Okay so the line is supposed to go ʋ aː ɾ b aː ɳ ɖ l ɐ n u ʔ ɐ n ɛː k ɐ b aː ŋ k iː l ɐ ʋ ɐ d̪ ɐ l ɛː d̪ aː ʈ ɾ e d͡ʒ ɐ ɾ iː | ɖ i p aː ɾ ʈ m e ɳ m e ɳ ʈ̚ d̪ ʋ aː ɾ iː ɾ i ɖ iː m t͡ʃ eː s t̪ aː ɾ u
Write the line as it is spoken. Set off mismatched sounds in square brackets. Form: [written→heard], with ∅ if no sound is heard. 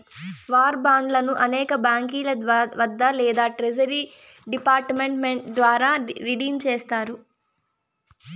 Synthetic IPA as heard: ʋ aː ɾ b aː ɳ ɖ l ɐ n u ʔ ɐ n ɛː k ɐ b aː ŋ k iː l ɐ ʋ ɐ [d̪→d̪ː] ɐ l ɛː d̪ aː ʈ ɾ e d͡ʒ ɐ ɾ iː | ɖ i p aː ɾ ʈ m e ɳ m e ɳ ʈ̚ d̪ ʋ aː ɾ [iː→aː] ɾ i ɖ iː m t͡ʃ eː s t̪ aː ɾ u